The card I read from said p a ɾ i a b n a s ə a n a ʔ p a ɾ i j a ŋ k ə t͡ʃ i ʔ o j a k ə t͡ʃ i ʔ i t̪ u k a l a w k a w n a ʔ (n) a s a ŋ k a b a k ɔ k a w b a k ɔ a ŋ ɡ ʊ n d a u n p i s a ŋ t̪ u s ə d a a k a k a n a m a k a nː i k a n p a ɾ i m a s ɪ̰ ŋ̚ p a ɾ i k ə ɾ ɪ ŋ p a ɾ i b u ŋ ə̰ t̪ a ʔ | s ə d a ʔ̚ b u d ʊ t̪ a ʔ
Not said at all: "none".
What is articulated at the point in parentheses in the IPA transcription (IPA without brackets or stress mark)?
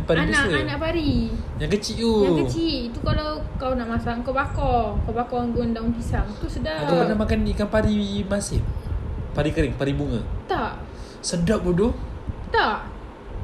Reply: m